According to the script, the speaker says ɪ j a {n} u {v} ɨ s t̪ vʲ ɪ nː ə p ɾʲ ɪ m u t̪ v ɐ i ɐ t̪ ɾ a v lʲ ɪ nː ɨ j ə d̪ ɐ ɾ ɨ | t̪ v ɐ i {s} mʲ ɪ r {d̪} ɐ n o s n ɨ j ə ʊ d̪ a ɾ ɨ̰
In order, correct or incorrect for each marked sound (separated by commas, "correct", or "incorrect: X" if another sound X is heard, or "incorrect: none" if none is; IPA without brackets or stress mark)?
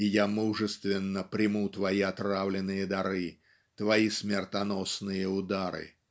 incorrect: m, incorrect: ʐ, correct, incorrect: t̪